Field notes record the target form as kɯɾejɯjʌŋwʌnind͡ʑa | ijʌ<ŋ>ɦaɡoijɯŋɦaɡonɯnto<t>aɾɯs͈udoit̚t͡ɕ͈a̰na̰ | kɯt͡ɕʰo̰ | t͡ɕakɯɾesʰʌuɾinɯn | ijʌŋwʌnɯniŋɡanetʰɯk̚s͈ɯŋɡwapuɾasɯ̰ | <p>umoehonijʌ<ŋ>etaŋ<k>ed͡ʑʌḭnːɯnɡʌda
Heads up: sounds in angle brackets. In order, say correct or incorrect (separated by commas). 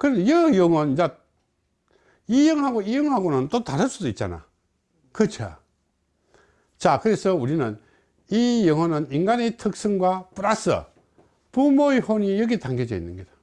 correct, correct, correct, incorrect, incorrect